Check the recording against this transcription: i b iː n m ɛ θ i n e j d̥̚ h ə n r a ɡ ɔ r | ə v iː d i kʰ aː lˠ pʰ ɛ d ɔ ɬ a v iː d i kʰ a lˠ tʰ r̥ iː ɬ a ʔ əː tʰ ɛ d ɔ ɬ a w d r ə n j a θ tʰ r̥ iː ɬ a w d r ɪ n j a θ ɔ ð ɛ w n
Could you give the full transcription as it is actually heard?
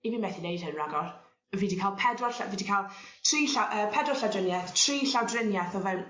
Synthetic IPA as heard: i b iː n m ɛ θ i n e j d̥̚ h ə n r a ɡ ɔ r | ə v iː d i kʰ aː lˠ pʰ ɛ d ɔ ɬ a v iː d i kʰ a lˠ tʰ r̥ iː ɬ a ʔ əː pʰ ɛ d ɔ ɬ a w d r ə n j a θ tʰ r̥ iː ɬ a w d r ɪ n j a θ ɔ v ɛ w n